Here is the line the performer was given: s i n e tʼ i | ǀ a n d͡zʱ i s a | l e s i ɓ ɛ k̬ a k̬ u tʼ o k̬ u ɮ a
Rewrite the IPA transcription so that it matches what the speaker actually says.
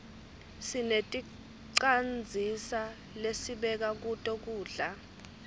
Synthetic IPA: s i n e tʼ i | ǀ a n d͡zʱ i s a | l e s i ɓ ɛ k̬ a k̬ u tʼ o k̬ uː ɮ a